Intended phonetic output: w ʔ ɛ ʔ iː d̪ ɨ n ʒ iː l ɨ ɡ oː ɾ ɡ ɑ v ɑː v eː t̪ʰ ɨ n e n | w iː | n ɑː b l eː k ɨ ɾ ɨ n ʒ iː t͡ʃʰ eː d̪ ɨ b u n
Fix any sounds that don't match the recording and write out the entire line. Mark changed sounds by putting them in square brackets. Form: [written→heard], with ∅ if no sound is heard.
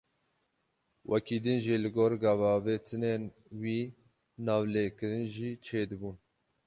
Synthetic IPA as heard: w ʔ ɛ [ʔ→k] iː d̪ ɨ n ʒ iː l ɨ ɡ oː ɾ ɡ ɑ v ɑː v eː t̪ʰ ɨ n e n | w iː | n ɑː [b→v] l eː k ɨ ɾ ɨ n ʒ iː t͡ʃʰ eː d̪ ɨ b u n